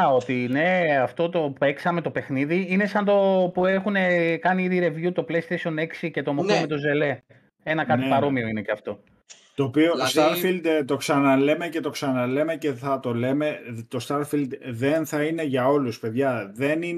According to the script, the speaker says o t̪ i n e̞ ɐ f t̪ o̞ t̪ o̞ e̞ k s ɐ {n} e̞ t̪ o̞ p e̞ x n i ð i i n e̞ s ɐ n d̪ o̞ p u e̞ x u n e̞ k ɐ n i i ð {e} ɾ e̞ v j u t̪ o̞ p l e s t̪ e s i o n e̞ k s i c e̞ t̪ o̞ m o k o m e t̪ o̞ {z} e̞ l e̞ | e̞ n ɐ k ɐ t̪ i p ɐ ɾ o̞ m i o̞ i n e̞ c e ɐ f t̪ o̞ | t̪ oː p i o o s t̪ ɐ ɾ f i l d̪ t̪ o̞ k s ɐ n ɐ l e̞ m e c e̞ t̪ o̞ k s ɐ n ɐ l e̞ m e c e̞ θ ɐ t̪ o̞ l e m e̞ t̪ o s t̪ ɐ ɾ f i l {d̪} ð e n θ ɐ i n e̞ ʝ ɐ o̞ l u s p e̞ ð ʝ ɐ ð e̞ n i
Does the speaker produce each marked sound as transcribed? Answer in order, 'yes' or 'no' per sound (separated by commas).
no, no, yes, yes